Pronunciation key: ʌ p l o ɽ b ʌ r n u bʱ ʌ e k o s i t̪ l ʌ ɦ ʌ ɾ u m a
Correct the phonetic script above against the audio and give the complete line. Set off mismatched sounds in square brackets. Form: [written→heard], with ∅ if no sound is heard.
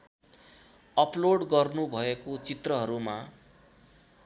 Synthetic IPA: ʌ p l o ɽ [b→ɡ] ʌ r n u bʱ ʌ e k o [s→t͡s] i t̪ [l→r] ʌ ɦ ʌ ɾ u m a